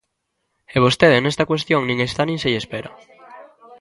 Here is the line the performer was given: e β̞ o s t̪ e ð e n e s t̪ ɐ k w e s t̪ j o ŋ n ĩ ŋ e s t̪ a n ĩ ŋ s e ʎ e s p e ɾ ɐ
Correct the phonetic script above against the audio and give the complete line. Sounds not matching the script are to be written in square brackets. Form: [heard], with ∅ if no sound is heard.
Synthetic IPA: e β̞ o s t̪ e ð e n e s t̪ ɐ k w e s t̪ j o ŋ n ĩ ŋ e s t̪ a n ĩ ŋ s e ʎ e s p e ɾ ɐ